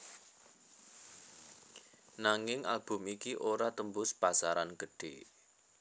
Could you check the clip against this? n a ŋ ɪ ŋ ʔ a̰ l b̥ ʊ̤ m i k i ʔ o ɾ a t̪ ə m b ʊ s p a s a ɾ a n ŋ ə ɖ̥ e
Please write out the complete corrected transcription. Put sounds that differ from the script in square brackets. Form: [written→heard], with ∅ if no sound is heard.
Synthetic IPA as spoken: n a ŋ ɪ ŋ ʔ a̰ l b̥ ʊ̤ m i k i ʔ o ɾ a t̪ ə m b ʊ s p a s a ɾ a n [ŋ→ɡ] ə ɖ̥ e

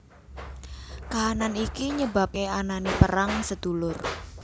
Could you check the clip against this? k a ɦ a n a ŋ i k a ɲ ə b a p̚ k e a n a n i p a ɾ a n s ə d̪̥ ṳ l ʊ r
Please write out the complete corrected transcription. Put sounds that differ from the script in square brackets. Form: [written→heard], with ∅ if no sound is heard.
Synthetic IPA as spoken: k a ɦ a n a [ŋ→n] i k [a→i] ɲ ə b a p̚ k e a n a n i p [a→ə] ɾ a [n→ŋ] s ə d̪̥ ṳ l ʊ r

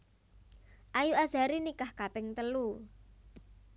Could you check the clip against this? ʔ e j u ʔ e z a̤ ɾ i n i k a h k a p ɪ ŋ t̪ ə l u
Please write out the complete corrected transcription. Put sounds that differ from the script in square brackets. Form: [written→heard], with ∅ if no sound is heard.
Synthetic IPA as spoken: ʔ [e→a] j u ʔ [e→a] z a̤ ɾ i n i k a h k a p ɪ ŋ t̪ ə l u

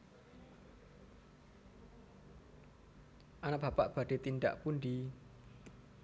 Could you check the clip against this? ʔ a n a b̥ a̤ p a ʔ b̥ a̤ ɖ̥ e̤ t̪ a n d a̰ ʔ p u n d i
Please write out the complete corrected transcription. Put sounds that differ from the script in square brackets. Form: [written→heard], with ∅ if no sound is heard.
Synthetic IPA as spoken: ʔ a n a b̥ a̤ p a ʔ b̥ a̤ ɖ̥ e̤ t̪ [a→i] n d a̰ ʔ p u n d i

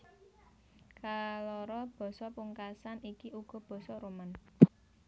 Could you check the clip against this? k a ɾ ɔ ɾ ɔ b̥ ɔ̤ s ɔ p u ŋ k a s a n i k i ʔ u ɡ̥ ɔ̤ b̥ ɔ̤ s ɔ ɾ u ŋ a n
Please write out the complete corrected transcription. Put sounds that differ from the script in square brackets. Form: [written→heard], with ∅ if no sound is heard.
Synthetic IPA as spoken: k a [ɾ→l] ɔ ɾ ɔ b̥ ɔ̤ s ɔ p u ŋ k a s a n i k i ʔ u ɡ̥ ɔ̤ b̥ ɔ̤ s ɔ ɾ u [ŋ→m] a n

